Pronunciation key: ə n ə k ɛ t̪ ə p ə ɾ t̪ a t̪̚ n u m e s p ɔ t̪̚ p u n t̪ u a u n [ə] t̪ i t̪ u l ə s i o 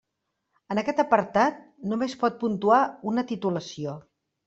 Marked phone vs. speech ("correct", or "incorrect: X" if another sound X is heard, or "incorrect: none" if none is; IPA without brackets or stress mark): correct